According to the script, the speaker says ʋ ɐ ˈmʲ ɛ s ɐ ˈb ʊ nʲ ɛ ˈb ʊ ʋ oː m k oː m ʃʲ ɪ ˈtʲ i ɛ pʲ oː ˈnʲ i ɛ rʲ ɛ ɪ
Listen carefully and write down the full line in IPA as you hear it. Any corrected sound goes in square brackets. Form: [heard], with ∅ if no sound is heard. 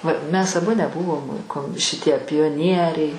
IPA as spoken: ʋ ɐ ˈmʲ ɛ s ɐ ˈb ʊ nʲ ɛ ˈb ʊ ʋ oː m k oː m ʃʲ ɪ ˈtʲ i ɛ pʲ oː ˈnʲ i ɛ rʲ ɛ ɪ